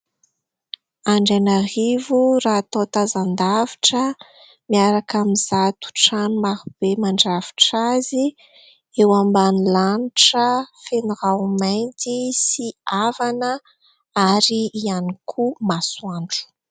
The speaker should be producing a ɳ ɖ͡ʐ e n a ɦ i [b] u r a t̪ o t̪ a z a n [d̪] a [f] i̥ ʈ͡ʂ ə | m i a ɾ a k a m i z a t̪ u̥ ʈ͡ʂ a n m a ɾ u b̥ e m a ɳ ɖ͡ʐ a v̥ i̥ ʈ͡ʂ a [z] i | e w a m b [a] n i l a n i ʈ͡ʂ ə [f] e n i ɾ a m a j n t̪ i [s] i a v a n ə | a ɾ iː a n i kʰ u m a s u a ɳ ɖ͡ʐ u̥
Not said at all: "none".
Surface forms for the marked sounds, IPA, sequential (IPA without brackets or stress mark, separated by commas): v, d̪, v, z, a, f, s